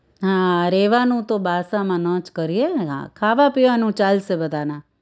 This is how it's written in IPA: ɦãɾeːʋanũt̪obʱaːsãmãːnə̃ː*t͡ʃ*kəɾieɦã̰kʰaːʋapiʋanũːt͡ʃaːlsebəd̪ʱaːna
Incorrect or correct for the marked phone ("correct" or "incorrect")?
correct